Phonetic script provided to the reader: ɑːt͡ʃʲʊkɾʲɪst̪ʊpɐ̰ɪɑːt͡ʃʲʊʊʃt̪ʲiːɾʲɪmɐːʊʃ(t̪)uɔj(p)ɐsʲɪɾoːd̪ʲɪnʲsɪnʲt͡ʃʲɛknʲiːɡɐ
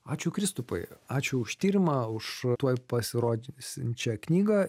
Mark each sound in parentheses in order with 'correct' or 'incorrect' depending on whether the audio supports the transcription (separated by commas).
correct, correct